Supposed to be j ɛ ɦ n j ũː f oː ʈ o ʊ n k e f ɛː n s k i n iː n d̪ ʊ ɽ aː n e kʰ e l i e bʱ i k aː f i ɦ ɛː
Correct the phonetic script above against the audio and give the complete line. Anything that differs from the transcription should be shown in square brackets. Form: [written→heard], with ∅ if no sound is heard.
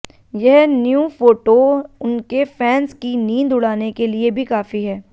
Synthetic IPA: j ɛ ɦ n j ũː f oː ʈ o ʊ n k e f ɛː n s k i n iː n d̪ ʊ ɽ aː n e [kʰ→k] e l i e bʱ i k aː f i ɦ ɛː